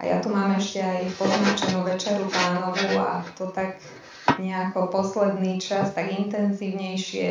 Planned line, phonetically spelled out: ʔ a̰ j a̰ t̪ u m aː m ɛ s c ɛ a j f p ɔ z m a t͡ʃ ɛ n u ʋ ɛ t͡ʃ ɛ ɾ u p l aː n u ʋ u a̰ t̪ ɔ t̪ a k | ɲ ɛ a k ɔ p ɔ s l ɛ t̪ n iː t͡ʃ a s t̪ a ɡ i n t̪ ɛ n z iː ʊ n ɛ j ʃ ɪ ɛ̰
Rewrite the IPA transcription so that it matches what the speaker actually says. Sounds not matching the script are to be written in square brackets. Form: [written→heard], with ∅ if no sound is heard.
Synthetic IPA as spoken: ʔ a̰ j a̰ t̪ u m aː m ɛ [s→ʃ] c ɛ a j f p ɔ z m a t͡ʃ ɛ n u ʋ ɛ t͡ʃ ɛ ɾ u p l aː n [u→ɔ] ʋ u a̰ t̪ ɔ t̪ a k | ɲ ɛ a k ɔ p ɔ s l ɛ [t̪→d̪] n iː t͡ʃ a s t̪ a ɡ i n t̪ ɛ n z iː ʊ [n→ɲ] ɛ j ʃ ɪ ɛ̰